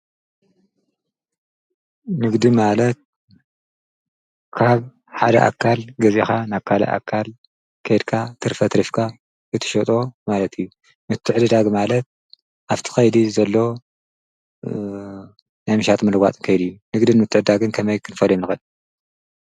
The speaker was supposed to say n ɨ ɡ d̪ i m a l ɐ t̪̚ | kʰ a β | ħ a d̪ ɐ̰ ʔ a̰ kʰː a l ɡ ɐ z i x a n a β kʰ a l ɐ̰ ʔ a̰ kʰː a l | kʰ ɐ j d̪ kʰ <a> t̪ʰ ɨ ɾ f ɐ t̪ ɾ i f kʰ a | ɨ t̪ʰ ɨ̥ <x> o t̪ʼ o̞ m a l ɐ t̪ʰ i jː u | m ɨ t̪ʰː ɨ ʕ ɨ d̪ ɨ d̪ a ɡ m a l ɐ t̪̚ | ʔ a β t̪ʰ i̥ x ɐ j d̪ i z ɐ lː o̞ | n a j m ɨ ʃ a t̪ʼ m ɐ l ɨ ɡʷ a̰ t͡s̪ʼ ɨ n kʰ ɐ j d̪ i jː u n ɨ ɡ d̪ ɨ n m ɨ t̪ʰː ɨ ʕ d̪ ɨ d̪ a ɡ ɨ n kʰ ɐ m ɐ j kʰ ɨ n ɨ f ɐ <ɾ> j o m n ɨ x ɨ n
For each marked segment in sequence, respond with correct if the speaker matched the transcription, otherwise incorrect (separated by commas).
correct, incorrect, incorrect